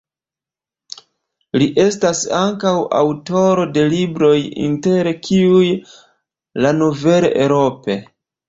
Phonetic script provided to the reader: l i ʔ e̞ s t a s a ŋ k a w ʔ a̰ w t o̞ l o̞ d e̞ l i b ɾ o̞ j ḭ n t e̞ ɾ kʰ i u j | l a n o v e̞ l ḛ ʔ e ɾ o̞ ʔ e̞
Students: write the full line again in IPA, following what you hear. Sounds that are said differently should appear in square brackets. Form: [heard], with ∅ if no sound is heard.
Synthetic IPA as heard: l i ʔ e̞ s t a s a ŋ k a w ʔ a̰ w t o̞ [ɾ] o̞ d e̞ l i b ɾ o̞ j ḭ n t e̞ ɾ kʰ i u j | l a n o v e̞ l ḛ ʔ e ɾ o̞ [p] e̞